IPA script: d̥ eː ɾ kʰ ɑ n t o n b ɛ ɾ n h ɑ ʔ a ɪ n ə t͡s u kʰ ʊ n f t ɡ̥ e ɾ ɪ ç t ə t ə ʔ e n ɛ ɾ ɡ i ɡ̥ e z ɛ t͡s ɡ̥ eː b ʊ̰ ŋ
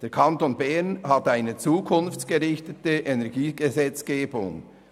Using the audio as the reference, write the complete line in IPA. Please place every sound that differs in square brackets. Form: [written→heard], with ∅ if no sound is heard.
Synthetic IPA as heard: d̥ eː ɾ kʰ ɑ n t o n b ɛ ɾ n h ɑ [ʔ→t] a ɪ n ə t͡s [u→uː] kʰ ʊ n f [t→t͡s] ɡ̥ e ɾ ɪ ç t ə t ə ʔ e n ɛ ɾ ɡ [i→iː] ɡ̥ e z ɛ t͡s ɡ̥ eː b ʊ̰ ŋ

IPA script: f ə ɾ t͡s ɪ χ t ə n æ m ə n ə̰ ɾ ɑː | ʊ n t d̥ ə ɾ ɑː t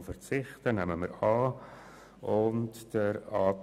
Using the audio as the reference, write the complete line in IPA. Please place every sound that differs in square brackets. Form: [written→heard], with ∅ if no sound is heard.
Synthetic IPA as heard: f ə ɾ t͡s ɪ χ t ə n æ m ə [n→m] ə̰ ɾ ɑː | ʊ n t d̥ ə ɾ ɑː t

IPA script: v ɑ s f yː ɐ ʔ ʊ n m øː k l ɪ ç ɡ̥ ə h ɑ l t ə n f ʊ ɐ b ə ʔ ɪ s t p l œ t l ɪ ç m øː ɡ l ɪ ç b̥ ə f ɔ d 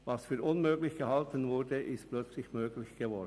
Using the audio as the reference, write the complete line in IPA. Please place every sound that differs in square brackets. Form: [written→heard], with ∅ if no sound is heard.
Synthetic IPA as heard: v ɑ s f yː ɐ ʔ ʊ n m øː [k→ɡ] l ɪ ç ɡ̥ ə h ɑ l t ə n [f→v] ʊ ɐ [b→d] ə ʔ ɪ s t p l œ [t→t͡s] l ɪ ç m øː ɡ l ɪ ç [b̥→ɡ̥] ə [f→v] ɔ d

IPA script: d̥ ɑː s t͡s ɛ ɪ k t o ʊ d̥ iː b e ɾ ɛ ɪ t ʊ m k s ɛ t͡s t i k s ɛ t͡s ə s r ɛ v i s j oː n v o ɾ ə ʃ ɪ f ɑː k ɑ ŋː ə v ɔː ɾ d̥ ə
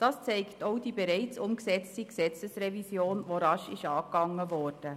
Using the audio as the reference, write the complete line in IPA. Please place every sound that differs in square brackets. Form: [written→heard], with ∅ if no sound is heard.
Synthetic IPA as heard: d̥ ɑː s t͡s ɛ ɪ k t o ʊ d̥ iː b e ɾ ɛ ɪ [t→t͡s] ʊ m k s ɛ t͡s t i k s ɛ t͡s ə s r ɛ v i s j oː n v o ɾ [ə→ɑ] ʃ ɪ [f→ʃ] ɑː k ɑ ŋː ə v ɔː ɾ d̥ ə

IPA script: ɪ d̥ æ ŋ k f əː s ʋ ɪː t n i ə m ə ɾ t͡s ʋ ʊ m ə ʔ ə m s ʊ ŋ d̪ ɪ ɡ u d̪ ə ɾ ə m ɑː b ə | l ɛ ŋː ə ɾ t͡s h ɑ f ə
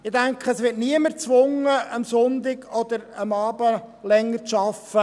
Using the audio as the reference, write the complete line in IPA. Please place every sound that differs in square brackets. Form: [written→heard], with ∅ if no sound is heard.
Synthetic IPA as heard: ɪ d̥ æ ŋ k [f→χ] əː s ʋ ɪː t n i ə m ə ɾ t͡s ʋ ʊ [m→ŋ] ə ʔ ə m s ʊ [ŋ→n] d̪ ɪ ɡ [u→ɔ] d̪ ə ɾ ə m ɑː b ə | l ɛ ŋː ə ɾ t͡s [h→ʃ] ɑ f ə

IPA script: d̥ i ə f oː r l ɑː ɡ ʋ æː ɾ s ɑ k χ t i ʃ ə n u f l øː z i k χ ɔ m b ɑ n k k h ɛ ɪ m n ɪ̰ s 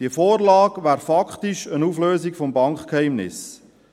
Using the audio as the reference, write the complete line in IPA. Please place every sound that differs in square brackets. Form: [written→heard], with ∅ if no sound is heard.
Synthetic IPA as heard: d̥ i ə f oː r l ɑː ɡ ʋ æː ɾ [s→f] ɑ k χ t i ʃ ə n u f l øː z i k [χ→f] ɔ m b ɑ [n→ŋ] k k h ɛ ɪ m n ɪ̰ s

